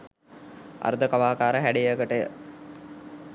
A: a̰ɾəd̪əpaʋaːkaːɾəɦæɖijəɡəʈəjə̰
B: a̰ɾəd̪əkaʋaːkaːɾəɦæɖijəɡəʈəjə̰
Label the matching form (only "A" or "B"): B